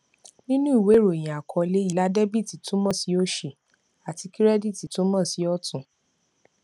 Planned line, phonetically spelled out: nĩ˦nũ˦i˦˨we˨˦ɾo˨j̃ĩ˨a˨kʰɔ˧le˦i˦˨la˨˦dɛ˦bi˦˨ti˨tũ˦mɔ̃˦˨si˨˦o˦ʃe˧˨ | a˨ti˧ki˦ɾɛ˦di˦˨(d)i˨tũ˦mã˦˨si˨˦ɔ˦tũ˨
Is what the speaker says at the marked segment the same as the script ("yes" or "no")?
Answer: no